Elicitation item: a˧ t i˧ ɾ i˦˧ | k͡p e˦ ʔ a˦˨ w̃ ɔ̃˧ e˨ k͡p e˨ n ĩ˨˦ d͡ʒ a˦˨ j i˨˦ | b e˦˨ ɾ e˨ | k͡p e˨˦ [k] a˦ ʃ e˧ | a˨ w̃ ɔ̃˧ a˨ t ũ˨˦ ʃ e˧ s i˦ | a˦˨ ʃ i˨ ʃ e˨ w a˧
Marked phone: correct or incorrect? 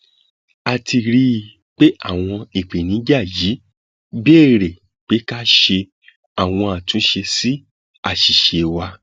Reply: correct